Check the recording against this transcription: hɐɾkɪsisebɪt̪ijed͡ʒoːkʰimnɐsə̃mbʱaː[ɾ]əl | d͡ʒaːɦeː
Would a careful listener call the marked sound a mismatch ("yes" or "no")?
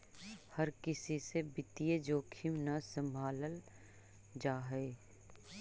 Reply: yes